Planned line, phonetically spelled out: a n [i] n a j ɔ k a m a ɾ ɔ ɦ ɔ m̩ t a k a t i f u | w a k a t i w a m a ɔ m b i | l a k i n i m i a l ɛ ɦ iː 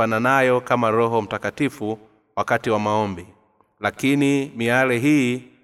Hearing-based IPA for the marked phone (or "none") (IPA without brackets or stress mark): a